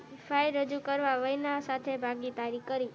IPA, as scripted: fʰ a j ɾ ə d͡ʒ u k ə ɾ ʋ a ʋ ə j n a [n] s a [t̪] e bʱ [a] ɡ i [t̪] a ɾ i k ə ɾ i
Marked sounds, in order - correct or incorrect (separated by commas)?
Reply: incorrect, incorrect, correct, correct